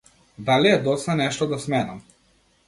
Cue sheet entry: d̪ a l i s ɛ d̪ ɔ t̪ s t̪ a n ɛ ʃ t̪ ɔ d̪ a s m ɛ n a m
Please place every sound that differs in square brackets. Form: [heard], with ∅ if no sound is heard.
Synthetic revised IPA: d̪ a l i [∅] ɛ d̪ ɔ t̪ s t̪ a n ɛ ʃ t̪ ɔ d̪ a s m ɛ n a m